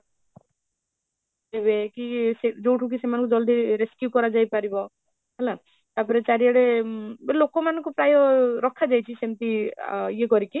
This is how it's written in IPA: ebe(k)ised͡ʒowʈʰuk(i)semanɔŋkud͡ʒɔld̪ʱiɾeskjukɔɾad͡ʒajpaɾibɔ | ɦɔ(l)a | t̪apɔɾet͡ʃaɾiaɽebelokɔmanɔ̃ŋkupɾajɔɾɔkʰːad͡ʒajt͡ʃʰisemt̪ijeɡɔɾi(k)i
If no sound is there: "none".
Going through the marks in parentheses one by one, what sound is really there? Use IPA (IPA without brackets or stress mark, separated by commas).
k, i, l, k